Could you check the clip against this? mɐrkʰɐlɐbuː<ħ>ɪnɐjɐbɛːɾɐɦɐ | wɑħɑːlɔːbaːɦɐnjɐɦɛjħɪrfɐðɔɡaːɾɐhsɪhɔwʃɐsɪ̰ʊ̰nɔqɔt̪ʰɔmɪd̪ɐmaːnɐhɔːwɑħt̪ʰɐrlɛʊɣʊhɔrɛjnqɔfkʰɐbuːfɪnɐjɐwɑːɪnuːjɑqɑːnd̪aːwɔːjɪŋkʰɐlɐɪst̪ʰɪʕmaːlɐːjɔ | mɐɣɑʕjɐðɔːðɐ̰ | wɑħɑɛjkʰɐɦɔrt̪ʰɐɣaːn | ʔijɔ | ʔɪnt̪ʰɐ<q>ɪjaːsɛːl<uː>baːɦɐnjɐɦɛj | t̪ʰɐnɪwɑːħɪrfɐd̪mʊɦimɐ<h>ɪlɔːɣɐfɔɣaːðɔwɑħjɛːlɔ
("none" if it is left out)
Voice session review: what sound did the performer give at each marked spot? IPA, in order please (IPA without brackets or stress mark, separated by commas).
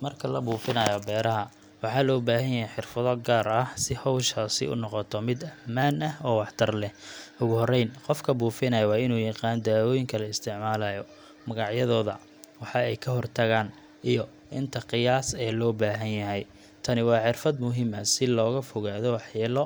f, q, ɔː, s